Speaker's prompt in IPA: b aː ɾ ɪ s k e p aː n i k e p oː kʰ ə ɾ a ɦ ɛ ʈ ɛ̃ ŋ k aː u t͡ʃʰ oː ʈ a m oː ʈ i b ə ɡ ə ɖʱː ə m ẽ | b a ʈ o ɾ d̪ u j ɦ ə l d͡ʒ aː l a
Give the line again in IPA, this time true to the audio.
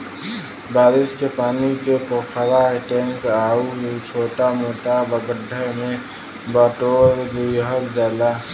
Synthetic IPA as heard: b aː ɾ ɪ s k e p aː n i k e p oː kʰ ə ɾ a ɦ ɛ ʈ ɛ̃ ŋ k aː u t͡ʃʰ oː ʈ a m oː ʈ a b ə ɡ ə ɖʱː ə m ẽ | b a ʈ o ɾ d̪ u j ɦ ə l d͡ʒ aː l a